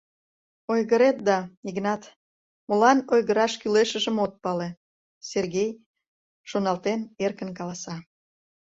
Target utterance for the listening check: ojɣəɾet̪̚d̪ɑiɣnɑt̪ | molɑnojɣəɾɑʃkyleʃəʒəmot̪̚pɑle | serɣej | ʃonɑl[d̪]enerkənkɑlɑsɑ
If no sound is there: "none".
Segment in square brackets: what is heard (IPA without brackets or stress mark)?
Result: t̪